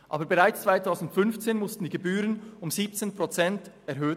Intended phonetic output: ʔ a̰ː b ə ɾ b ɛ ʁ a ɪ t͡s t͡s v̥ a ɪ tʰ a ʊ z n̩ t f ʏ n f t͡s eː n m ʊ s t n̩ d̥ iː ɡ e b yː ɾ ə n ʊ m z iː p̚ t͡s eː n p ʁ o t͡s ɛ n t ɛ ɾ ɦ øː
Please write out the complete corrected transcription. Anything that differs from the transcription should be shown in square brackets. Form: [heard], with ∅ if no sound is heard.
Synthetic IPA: ʔ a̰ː b ə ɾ b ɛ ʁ a ɪ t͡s t͡s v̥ a ɪ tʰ a ʊ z n̩ t f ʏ n f t͡s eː n m ʊ s t n̩ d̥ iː ɡ e b yː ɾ ə n ʊ m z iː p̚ t͡s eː n p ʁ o t͡s ɛ n t ɛ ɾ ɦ øː

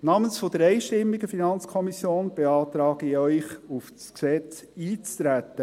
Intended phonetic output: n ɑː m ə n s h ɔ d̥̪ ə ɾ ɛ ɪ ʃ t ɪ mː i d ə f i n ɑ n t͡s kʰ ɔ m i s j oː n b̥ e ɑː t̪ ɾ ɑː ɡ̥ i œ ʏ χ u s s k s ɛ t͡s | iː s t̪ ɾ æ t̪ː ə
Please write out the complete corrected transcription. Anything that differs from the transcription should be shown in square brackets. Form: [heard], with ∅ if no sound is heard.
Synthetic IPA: n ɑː m ə n s [f] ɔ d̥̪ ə ɾ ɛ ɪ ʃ t ɪ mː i [ɡ] ə f i n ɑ n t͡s kʰ ɔ m i s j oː n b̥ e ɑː t̪ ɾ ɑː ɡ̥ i œ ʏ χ u [f] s k s ɛ t͡s | iː [t͡s] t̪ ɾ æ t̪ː ə

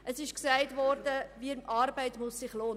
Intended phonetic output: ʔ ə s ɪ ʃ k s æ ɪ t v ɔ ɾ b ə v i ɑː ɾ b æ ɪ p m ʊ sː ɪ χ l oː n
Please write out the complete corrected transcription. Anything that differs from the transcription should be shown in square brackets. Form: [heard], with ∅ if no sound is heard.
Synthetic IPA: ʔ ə s ɪ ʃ k s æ ɪ t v ɔ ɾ [d] ə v i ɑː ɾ b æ ɪ [t] m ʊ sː ɪ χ l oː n

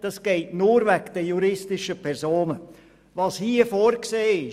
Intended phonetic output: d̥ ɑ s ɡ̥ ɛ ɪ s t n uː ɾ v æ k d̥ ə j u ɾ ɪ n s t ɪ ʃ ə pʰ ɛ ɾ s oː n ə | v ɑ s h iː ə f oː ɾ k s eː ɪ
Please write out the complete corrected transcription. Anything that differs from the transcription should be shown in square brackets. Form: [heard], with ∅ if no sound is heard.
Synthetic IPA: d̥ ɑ s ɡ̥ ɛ ɪ [∅] t n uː ɾ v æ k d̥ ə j u ɾ ɪ [∅] s t ɪ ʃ ə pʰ ɛ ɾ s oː n ə | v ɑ s h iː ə f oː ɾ k s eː ɪ

